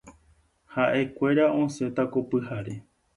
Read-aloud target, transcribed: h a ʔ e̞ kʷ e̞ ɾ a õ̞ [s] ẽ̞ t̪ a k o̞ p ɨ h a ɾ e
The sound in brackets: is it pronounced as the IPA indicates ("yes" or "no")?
yes